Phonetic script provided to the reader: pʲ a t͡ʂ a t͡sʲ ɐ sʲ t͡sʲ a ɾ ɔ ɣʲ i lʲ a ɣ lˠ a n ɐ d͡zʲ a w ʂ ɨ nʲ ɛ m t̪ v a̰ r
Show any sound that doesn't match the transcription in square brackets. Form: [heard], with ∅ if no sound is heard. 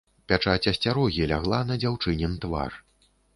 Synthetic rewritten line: pʲ a t͡ʂ a t͡sʲ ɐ sʲ t͡sʲ a ɾ ɔ ɣʲ i lʲ a ɣ lˠ a n ɐ d͡zʲ a w [t͡ʂ] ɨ nʲ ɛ [n] t̪ v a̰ r